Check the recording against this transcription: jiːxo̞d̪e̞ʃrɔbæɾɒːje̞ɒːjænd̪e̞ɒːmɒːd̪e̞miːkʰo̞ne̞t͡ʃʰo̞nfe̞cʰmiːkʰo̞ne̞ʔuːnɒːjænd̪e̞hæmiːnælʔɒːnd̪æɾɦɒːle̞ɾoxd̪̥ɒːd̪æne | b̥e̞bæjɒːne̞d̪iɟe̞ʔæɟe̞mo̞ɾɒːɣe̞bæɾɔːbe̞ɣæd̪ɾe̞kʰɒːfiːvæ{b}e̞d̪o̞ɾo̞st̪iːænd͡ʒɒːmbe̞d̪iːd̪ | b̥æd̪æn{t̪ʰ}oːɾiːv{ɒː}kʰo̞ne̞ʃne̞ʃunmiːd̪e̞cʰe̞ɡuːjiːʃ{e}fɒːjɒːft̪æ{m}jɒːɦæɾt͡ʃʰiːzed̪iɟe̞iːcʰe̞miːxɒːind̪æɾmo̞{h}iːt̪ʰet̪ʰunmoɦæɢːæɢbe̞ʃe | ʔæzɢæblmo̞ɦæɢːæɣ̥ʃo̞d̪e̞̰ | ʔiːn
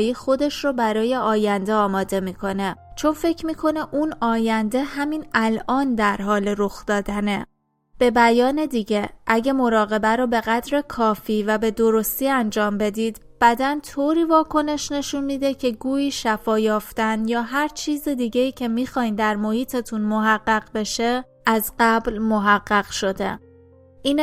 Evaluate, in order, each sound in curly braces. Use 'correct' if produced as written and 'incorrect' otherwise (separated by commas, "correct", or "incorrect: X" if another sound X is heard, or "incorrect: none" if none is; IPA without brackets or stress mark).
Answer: correct, correct, correct, incorrect: æ, incorrect: n, correct